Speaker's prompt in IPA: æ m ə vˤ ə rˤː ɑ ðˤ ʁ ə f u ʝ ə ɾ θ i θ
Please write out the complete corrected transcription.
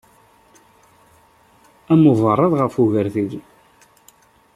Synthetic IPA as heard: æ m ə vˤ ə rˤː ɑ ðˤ ʁ ə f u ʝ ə ɾ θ i ð